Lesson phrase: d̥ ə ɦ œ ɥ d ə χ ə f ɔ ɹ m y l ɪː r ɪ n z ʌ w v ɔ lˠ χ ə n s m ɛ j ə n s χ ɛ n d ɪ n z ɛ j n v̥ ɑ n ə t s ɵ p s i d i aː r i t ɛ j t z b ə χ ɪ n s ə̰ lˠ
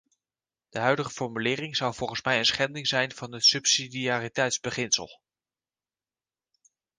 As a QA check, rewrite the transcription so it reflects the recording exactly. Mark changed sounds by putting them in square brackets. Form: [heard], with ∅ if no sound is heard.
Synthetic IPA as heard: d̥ ə ɦ œ ɥ d ə χ ə f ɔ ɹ m y l ɪː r ɪ [ŋ] z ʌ w v ɔ lˠ χ ə n s m ɛ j ə n s χ ɛ n d ɪ [ŋ] z ɛ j n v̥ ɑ n ə t s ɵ p s i d i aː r i t ɛ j t z b ə χ ɪ n s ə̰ lˠ